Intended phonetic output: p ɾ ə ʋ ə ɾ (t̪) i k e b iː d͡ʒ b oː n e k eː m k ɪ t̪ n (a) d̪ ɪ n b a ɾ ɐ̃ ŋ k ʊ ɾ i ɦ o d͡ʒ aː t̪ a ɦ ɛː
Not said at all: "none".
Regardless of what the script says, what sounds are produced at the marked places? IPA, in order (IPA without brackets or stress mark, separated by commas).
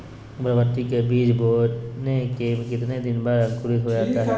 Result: t̪, e